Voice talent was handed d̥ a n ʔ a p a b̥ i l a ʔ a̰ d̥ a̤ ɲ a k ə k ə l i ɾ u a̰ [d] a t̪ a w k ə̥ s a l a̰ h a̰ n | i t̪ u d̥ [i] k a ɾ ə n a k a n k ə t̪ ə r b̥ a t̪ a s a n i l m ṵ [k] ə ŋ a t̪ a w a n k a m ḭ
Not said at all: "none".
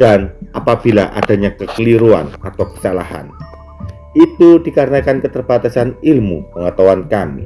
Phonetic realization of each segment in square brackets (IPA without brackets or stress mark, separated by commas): n, i, p